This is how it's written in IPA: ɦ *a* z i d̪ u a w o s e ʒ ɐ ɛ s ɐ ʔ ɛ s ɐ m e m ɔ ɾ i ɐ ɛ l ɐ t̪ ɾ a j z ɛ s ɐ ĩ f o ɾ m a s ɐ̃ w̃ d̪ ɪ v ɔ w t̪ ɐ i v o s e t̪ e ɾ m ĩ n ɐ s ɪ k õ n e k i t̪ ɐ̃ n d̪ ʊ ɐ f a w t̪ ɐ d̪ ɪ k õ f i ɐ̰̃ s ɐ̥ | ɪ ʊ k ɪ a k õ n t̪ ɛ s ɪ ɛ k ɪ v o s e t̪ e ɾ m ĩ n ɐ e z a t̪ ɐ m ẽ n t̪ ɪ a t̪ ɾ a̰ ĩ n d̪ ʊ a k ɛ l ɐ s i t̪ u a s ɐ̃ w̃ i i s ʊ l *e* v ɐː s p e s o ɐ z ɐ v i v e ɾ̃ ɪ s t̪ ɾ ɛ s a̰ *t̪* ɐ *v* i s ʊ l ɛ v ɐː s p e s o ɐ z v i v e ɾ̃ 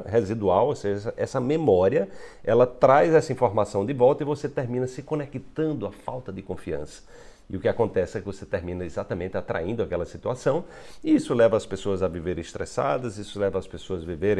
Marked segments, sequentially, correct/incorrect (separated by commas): incorrect, incorrect, incorrect, incorrect